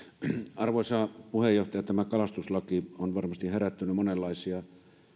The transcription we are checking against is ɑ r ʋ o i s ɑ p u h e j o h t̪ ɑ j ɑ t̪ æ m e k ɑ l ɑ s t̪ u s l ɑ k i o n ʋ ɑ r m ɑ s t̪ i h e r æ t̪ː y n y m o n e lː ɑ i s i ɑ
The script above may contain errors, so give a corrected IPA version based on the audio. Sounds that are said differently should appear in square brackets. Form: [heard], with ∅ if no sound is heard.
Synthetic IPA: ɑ r ʋ o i s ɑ p u h e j o h t̪ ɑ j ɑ t̪ æ m [æ] k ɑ l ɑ s t̪ u s l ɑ k i o n ʋ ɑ r m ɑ s t̪ i h e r æ t̪ː y n y m o n e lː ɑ i s i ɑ